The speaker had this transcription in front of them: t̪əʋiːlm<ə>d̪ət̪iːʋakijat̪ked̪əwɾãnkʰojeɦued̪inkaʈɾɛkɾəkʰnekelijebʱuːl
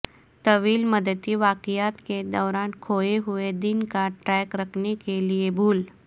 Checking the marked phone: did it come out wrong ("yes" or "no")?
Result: no